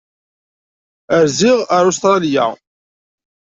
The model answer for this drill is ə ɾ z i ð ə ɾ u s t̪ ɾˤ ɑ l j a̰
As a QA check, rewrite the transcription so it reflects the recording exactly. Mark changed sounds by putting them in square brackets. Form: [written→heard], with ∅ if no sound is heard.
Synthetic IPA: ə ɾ z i [ð→ʁ] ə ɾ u s t̪ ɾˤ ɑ l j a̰